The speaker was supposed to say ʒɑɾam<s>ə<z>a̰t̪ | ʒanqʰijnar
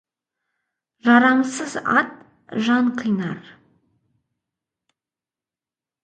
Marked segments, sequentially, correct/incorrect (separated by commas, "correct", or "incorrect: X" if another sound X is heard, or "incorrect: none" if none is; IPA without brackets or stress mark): correct, correct